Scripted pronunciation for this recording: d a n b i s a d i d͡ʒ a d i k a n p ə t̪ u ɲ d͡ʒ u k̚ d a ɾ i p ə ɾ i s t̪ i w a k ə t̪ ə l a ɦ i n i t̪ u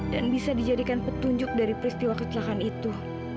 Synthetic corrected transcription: d a n b i s a d i d͡ʒ a d i k a n p ə t̪ u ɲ d͡ʒ ʊ k̚ d a ɾ i p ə ɾ i s t̪ i w a k ə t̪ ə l a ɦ a n i t̪ u